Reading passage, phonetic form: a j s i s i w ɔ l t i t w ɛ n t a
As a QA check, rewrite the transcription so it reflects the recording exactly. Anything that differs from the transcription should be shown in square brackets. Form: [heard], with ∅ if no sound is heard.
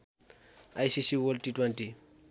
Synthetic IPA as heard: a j s i s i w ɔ l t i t w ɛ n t [i]